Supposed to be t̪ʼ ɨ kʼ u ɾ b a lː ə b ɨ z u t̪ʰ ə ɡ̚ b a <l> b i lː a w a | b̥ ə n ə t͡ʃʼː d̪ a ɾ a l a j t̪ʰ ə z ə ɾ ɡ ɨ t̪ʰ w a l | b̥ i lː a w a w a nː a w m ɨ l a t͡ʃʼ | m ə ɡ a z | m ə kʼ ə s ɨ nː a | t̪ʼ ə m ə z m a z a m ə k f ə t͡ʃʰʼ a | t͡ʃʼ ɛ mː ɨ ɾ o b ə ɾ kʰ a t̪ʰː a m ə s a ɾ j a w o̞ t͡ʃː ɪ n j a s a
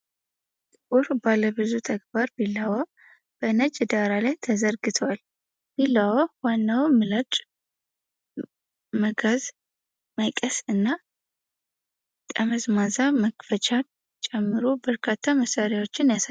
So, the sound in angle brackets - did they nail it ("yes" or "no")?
no